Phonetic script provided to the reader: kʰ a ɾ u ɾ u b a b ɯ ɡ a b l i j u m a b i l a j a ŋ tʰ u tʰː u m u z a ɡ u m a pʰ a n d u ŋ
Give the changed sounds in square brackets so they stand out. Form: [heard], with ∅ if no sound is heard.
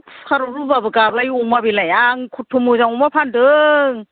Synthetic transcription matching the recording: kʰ a ɾ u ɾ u b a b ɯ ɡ a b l [a] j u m a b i l a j a ŋ [kʰ] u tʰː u m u z a [ŋ] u m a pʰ a n d [ɯ] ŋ